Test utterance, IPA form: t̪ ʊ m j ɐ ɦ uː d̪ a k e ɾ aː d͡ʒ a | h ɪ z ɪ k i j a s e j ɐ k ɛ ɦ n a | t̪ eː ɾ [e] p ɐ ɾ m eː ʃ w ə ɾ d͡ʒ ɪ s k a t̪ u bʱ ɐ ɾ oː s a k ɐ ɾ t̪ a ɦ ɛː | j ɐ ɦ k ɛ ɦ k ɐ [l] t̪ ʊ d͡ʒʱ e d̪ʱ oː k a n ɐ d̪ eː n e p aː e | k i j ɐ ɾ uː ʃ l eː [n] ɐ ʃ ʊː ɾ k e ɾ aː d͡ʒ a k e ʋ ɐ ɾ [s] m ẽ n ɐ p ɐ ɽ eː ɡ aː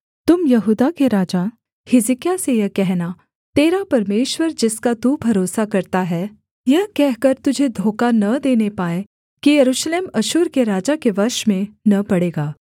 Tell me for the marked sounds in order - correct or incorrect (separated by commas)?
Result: incorrect, incorrect, incorrect, incorrect